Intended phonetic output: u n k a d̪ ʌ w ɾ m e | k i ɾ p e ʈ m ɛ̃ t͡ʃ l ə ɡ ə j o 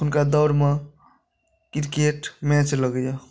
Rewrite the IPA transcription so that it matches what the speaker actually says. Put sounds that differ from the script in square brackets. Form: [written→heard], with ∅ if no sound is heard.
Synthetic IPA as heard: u n k a d̪ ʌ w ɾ m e | k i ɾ [p→k] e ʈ m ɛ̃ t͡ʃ l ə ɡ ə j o